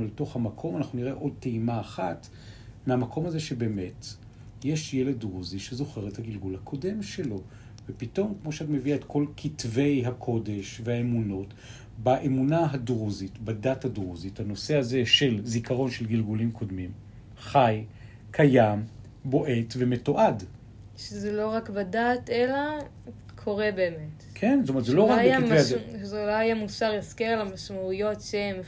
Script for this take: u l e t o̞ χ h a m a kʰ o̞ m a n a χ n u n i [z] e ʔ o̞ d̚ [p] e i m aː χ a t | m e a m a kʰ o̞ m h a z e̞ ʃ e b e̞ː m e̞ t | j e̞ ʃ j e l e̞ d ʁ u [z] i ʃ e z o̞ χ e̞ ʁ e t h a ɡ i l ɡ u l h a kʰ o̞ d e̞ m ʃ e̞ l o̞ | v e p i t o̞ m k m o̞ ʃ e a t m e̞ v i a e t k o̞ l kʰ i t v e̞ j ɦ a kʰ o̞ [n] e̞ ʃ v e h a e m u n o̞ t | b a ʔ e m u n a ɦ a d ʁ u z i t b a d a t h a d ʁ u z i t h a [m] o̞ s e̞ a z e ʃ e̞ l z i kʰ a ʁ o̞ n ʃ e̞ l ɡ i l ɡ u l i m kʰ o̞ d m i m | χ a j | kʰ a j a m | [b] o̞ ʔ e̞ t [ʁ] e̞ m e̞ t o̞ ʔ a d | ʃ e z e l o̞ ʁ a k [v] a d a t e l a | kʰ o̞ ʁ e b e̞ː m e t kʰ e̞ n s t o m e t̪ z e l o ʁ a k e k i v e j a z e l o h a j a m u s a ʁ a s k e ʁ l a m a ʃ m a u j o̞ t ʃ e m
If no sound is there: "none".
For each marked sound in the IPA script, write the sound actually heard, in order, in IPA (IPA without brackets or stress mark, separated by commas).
ʁ, t, z, d, n, b, v, b